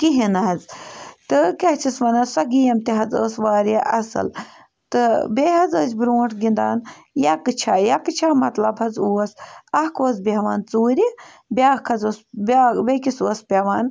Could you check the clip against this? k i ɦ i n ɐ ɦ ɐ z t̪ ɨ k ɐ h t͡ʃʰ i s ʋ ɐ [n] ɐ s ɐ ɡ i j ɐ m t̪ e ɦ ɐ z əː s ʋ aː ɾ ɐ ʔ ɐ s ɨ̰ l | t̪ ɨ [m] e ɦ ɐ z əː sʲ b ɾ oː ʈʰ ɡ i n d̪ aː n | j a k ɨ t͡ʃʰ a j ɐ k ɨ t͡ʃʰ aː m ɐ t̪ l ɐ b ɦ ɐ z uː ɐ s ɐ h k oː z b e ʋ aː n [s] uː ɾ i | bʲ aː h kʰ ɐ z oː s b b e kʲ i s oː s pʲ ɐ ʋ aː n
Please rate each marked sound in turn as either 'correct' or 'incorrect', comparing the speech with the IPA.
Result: correct, incorrect, incorrect

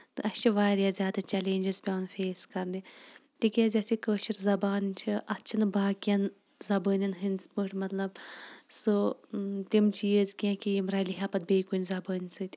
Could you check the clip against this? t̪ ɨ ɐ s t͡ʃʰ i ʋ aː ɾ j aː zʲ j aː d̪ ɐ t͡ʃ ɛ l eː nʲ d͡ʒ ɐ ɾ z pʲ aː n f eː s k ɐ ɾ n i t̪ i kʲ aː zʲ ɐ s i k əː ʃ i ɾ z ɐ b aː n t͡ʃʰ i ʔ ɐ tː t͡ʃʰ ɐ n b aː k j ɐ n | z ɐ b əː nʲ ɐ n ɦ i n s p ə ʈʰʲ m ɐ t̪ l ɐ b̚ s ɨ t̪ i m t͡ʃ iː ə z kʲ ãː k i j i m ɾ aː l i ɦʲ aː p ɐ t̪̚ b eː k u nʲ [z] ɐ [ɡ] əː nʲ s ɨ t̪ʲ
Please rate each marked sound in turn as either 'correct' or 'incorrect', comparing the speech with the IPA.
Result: correct, incorrect

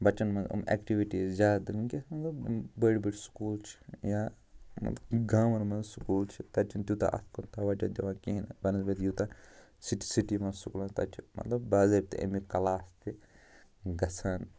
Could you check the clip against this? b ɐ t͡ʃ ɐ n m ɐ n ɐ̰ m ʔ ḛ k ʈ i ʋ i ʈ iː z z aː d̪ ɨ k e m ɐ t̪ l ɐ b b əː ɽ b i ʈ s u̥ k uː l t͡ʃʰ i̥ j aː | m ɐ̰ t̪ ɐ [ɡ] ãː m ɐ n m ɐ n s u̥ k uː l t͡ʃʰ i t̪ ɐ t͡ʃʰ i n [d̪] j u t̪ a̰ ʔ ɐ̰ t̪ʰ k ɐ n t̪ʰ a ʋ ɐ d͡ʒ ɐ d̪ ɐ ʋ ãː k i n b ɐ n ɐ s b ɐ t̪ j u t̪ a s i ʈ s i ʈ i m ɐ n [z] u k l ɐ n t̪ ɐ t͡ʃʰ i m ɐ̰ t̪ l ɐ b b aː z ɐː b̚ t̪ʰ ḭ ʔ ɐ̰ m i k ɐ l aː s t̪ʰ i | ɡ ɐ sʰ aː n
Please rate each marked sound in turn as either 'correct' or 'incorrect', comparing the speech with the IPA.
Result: correct, incorrect, incorrect

